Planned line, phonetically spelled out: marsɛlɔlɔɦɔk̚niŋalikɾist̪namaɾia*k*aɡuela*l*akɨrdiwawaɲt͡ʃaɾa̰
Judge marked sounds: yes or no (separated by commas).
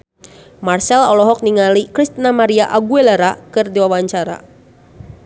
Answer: no, no